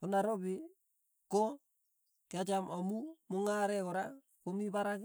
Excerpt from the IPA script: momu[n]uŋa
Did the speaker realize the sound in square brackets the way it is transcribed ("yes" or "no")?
no